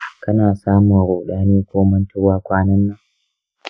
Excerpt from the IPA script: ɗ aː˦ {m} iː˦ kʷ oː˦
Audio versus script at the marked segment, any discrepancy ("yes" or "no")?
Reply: yes